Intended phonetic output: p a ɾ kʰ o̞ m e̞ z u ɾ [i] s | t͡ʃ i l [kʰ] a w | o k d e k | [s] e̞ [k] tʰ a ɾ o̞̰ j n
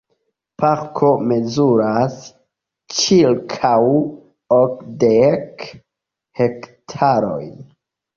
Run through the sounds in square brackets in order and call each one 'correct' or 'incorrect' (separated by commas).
incorrect, correct, incorrect, correct